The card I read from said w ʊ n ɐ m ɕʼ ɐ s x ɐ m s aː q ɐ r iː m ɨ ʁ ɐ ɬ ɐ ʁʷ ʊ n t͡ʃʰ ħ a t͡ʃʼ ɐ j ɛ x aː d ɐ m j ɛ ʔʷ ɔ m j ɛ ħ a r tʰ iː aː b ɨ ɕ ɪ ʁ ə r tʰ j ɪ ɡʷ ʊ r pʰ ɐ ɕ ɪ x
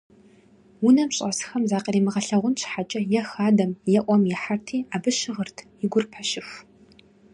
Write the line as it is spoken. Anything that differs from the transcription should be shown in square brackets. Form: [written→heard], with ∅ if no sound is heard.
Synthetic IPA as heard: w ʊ n ɐ m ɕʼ ɐ s x ɐ m [s→z] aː q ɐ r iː m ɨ ʁ ɐ ɬ ɐ ʁʷ ʊ n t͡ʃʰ ħ a t͡ʃʼ ɐ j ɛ x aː d ɐ m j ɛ ʔʷ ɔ m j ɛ ħ a r tʰ iː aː b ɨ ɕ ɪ ʁ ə r tʰ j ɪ ɡʷ ʊ r pʰ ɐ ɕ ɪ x